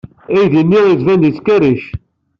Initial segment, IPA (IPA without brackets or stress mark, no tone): æ